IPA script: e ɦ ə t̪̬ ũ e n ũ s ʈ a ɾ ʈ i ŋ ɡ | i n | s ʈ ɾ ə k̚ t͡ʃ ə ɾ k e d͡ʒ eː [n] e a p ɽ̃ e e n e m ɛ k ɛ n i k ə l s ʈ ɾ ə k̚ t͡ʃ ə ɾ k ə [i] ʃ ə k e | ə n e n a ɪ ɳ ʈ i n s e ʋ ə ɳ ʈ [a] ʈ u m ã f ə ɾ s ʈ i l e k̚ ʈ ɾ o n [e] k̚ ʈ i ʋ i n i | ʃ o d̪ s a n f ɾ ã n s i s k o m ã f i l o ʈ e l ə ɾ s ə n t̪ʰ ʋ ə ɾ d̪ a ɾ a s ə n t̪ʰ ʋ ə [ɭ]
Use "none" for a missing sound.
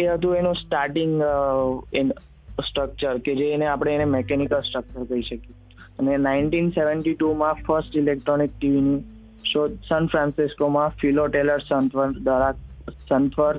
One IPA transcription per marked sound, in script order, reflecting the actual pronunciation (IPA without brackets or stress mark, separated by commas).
n, i, i, i, ɾ